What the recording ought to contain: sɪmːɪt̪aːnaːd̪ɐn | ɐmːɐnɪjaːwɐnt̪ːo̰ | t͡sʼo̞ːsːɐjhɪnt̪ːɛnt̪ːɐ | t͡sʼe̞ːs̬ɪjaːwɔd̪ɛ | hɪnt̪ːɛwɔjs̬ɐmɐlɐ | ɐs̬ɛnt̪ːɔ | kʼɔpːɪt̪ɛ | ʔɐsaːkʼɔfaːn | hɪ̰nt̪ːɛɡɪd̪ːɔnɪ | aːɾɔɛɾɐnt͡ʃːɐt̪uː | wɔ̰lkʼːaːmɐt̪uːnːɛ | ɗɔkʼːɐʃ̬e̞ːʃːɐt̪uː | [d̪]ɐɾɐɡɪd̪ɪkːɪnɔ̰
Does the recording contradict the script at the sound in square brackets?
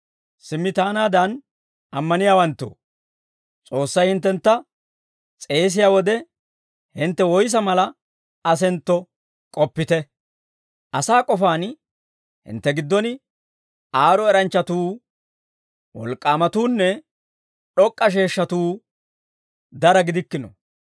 no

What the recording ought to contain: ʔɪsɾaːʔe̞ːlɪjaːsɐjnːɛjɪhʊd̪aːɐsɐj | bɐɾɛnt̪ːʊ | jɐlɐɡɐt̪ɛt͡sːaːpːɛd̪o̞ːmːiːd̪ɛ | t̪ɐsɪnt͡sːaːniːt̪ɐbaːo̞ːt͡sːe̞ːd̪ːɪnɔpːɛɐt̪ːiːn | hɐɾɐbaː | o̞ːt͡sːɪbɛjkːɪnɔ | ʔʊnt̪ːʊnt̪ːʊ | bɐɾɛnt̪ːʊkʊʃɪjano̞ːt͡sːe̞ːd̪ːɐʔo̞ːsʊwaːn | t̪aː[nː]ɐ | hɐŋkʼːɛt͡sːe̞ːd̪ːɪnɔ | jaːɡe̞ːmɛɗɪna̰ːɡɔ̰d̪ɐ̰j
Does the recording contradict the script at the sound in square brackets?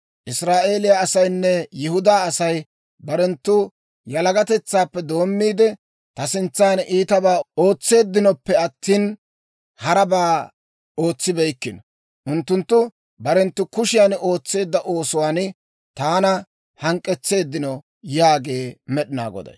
yes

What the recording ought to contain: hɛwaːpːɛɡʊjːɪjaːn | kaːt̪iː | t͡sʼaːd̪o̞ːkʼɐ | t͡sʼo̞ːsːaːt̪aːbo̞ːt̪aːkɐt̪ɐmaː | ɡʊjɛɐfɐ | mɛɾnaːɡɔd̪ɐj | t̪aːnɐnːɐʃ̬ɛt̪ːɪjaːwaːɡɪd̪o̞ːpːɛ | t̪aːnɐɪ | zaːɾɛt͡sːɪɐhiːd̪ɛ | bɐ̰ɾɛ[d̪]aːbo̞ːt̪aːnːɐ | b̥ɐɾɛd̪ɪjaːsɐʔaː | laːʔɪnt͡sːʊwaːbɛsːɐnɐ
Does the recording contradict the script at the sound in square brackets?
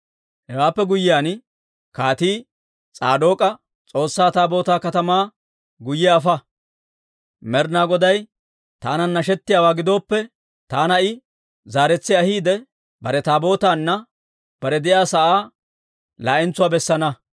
yes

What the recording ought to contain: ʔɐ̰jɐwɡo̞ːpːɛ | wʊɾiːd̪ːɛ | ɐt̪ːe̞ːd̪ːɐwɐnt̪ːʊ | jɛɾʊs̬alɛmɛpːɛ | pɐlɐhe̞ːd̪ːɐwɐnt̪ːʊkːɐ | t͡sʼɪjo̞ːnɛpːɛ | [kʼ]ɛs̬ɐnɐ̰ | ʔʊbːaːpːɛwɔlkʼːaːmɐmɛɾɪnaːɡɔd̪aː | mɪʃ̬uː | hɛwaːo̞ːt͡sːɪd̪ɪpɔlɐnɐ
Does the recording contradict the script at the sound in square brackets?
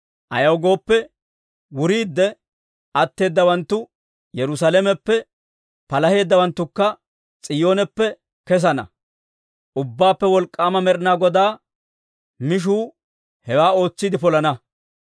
yes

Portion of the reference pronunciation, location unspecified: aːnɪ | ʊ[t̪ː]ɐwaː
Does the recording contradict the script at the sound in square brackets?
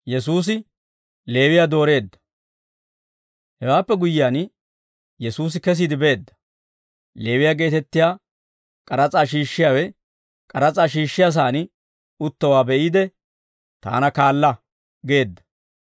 no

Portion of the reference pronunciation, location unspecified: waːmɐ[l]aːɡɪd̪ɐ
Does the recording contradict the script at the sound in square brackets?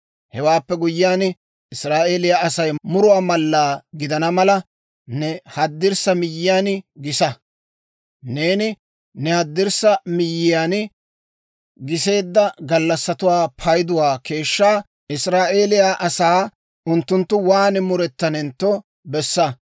yes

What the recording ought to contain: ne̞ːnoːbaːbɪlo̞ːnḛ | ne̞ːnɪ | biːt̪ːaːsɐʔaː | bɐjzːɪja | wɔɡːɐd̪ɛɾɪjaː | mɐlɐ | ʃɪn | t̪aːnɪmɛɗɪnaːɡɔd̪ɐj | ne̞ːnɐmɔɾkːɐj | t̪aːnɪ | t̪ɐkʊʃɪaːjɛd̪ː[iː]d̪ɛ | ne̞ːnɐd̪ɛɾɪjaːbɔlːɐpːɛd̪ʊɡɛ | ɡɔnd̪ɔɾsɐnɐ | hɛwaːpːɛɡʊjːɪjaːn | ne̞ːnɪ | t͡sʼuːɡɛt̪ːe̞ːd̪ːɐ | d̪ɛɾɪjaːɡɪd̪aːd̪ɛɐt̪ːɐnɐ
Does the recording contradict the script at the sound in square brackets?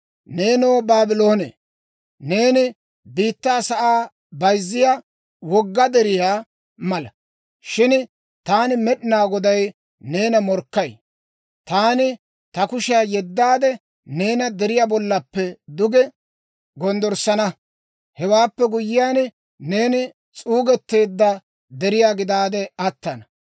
yes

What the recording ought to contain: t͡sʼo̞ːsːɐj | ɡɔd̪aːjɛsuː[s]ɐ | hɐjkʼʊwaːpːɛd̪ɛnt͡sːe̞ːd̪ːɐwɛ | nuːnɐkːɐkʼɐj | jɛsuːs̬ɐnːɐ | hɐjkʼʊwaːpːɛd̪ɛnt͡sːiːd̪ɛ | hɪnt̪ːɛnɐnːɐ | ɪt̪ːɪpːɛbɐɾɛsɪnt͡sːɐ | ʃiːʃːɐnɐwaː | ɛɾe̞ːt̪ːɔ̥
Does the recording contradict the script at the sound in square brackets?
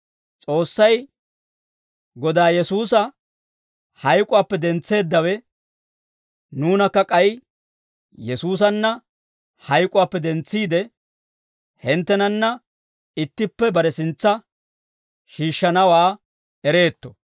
no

